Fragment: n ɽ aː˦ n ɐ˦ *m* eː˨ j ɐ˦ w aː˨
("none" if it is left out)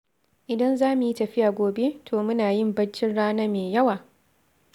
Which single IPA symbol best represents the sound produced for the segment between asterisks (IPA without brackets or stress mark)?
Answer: m